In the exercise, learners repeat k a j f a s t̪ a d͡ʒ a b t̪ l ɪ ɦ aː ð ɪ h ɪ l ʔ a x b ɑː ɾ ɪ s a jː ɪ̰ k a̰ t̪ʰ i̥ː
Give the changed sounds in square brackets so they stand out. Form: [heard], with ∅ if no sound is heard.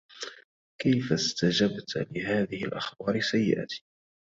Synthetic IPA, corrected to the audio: k a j f a s t̪ a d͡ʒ a b t̪ l ɪ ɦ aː ð ɪ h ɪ l ʔ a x b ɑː ɾ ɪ s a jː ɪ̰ [ʔ] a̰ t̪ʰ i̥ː